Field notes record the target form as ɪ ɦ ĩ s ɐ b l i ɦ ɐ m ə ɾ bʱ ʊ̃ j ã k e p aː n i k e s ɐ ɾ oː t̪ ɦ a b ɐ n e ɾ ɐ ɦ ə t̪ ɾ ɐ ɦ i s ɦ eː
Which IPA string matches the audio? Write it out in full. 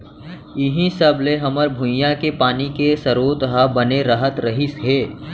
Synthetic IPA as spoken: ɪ ɦ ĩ s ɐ b l e ɦ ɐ m ə ɾ bʱ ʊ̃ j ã k e p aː n i k e s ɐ ɾ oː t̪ ɦ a b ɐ n e ɾ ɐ ɦ ə t̪ ɾ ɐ ɦ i s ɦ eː